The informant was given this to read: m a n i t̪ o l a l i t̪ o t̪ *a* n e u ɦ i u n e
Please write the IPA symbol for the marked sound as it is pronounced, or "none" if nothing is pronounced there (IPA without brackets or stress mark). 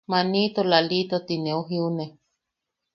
i